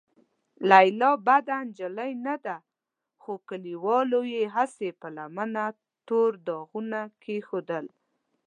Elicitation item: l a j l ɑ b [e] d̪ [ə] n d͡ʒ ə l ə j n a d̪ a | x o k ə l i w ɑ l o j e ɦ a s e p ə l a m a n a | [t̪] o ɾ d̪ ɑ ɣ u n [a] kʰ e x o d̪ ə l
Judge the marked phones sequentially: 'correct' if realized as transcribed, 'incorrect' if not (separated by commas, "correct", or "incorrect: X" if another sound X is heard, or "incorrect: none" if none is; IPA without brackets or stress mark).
incorrect: a, incorrect: a, correct, correct